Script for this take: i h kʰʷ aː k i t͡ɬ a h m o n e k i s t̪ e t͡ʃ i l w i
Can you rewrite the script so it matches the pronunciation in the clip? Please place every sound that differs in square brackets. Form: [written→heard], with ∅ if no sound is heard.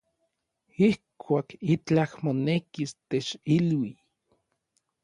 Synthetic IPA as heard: i h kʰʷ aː k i t͡ɬ a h m o n e k i s t̪ e t͡ʃ i l w i